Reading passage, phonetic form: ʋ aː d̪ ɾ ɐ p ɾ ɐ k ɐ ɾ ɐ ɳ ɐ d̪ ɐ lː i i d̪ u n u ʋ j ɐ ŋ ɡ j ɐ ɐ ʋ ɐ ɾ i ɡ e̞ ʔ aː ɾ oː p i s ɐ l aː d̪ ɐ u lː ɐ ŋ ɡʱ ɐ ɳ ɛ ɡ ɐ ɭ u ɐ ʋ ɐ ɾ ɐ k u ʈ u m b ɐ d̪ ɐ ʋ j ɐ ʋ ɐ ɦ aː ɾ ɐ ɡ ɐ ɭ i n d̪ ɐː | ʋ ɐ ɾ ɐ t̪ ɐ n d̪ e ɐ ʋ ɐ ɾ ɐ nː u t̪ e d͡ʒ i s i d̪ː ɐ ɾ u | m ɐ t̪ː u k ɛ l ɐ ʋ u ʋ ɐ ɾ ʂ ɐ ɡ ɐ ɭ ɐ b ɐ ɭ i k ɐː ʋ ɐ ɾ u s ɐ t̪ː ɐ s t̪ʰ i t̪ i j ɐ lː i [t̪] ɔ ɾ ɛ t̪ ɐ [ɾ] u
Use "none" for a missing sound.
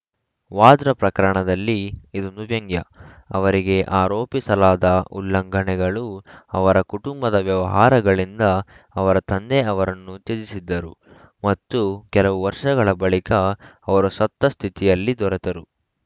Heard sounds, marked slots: d̪, ɾ

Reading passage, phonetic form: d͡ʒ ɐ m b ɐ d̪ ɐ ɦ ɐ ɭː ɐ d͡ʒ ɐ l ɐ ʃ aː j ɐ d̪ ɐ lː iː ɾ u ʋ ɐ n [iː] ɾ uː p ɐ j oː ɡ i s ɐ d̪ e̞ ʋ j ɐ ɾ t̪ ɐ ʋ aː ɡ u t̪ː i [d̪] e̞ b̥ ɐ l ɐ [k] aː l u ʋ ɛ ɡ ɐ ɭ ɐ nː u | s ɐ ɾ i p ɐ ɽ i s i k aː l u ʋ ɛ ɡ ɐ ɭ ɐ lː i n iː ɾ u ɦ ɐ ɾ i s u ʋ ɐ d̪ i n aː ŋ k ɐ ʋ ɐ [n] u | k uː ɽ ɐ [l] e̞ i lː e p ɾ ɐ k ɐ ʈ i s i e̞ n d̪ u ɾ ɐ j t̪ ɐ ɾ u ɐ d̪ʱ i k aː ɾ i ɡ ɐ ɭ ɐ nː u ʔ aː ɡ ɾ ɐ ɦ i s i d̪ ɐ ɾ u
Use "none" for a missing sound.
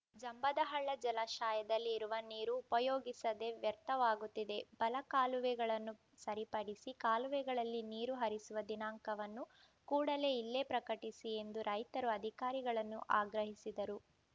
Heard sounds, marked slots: iː, d̪, k, nː, l

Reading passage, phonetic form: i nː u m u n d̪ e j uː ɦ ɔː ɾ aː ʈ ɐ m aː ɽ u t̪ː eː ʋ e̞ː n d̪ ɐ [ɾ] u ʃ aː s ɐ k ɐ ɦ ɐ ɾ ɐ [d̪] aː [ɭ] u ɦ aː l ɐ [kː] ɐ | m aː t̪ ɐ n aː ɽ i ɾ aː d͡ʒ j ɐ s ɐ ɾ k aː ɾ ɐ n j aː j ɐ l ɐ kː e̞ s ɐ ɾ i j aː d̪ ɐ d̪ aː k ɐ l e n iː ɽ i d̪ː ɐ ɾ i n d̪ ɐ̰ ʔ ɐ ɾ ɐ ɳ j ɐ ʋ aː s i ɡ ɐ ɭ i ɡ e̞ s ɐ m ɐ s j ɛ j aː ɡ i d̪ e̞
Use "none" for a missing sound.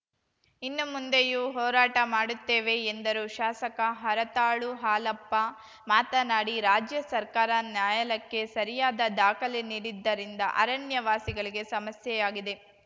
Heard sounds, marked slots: ɾ, t̪, ɭ, pː

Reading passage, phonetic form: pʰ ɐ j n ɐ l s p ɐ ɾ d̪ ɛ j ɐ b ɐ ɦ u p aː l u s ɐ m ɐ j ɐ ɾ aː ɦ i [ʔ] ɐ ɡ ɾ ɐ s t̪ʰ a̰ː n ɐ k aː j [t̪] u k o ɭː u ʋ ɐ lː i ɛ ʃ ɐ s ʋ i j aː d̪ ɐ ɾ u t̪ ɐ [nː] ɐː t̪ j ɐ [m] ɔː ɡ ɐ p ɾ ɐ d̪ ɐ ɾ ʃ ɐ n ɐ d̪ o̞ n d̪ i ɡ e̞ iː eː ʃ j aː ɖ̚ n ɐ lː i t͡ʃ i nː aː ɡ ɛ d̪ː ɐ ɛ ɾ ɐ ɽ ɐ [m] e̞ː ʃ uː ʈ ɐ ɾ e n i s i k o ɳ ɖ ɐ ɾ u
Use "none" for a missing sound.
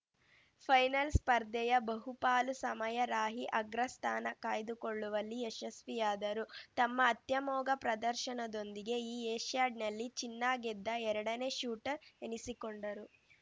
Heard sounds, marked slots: ʔ, d̪, mː, m, n

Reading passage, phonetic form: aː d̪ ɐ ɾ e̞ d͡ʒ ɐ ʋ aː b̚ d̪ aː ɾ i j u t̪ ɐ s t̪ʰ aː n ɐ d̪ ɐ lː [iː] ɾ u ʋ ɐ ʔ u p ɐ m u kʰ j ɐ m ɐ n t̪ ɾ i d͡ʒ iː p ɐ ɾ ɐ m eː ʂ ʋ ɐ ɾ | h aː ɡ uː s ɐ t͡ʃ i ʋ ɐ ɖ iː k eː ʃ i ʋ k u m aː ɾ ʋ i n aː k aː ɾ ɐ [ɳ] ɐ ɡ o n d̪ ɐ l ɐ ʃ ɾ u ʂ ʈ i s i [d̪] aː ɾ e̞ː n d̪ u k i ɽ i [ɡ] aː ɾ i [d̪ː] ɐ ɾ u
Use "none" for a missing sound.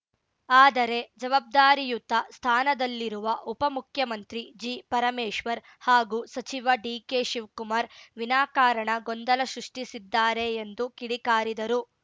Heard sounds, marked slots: i, ɳ, d̪ː, k, d̪

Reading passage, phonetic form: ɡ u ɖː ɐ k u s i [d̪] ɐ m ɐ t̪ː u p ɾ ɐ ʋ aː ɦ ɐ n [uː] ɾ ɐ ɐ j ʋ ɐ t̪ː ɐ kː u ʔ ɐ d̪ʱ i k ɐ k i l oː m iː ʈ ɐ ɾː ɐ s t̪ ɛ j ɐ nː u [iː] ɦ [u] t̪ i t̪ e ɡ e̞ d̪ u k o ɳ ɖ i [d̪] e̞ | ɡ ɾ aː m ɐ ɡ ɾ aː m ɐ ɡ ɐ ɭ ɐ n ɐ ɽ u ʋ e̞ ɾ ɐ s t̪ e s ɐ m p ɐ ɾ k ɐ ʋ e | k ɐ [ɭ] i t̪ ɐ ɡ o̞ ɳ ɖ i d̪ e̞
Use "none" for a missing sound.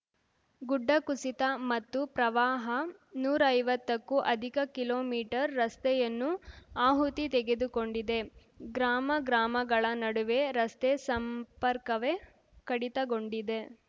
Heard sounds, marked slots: t̪, uː, aː, u, d̪, ɽ

